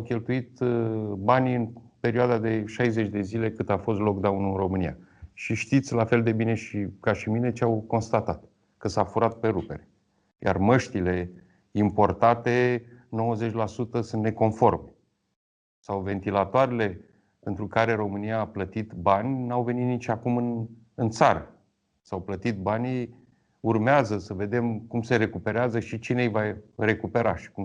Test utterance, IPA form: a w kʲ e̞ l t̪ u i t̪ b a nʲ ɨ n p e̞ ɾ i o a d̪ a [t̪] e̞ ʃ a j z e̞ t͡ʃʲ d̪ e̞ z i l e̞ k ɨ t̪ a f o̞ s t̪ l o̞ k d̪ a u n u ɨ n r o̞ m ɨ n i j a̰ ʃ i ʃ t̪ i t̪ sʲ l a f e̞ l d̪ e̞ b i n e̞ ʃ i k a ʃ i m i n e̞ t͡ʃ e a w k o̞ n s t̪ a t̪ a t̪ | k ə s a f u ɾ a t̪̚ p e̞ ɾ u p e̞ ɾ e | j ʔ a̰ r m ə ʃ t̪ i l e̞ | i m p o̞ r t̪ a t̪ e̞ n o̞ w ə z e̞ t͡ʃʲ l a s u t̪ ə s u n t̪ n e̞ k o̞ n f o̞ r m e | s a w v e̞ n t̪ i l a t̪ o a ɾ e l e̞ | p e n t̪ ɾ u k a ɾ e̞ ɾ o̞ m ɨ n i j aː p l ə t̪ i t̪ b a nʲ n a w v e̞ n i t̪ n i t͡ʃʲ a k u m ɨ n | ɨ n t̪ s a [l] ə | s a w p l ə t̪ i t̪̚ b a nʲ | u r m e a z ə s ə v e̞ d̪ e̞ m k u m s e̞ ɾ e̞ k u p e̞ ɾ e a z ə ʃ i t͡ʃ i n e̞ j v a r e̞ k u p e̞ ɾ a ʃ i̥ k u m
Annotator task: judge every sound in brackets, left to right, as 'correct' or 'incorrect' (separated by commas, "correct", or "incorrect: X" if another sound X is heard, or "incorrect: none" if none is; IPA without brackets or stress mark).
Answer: incorrect: d̪, incorrect: ɾ